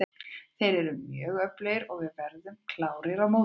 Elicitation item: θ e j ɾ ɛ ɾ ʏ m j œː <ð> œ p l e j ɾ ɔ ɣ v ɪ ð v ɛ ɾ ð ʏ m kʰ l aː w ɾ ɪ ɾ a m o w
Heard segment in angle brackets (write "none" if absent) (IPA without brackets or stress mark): ɣ